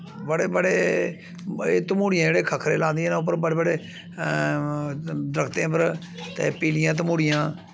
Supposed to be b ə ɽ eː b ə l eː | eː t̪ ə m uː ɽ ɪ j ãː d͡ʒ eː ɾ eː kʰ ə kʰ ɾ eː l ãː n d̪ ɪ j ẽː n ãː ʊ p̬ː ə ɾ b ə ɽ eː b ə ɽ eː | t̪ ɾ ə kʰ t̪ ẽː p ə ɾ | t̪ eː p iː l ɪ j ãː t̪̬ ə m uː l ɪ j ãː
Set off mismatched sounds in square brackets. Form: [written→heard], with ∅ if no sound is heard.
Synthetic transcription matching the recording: b ə ɽ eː b ə [l→ɽ] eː | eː t̪ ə m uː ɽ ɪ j ãː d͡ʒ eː [ɾ→ɽ] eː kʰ ə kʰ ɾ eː l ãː n d̪ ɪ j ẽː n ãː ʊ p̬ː ə ɾ b ə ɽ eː b ə ɽ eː | [t̪→d̪] ɾ ə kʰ t̪ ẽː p ə ɾ | t̪ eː p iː l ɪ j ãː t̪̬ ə m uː [l→ɽ] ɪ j ãː